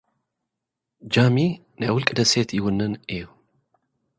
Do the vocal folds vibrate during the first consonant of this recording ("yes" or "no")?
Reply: yes